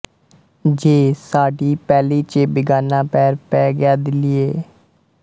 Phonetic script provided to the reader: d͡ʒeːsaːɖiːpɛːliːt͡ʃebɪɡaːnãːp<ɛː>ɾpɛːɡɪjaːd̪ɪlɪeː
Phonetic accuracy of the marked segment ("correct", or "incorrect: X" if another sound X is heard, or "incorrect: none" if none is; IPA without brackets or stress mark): correct